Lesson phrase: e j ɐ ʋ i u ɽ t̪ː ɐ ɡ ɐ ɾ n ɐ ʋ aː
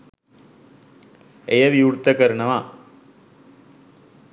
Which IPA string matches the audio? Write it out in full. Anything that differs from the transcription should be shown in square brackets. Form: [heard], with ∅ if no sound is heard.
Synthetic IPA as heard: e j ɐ ʋ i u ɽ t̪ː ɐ [k] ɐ ɾ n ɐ ʋ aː